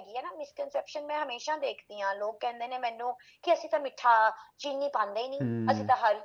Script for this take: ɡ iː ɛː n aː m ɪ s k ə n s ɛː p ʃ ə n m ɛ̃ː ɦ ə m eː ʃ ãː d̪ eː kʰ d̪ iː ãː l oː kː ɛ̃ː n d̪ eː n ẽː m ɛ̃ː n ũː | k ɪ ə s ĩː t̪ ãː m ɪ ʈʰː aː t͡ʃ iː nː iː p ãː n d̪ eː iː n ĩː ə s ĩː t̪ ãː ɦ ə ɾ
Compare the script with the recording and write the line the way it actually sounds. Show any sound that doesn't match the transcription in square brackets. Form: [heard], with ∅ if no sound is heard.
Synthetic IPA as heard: ɡ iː ɛː n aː m ɪ s k ə n s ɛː p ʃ ə n m ɛ̃ː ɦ ə m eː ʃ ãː d̪ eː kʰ d̪ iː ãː l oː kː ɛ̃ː n d̪ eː n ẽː m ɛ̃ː n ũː | k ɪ ə s ĩː t̪ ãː m ɪ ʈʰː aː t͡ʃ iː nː iː p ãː n d̪ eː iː n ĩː ə s ĩː t̪ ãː ɦ ə ɾ